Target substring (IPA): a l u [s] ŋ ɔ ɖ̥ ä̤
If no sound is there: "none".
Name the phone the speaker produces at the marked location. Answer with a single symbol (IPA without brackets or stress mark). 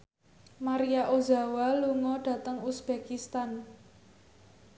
none